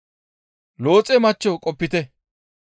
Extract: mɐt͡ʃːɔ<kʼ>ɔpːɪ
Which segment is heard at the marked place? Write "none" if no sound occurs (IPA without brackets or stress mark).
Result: kʼ